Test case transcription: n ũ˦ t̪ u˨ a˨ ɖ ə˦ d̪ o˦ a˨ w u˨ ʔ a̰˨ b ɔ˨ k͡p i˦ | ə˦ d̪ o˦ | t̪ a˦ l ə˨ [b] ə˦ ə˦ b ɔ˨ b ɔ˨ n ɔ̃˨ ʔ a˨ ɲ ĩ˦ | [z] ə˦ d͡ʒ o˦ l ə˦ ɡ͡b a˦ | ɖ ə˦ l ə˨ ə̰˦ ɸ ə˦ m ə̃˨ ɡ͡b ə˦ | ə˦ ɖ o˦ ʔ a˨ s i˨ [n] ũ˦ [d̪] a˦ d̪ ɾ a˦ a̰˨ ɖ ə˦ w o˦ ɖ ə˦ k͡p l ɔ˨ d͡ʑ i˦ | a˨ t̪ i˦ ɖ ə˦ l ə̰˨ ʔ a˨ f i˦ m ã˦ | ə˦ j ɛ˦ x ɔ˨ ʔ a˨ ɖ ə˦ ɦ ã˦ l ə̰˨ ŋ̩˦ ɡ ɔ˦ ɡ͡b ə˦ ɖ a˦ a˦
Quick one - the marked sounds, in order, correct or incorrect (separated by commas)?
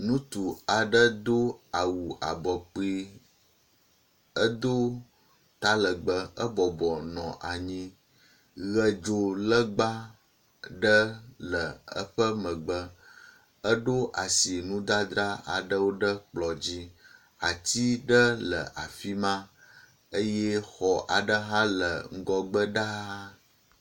incorrect, incorrect, correct, correct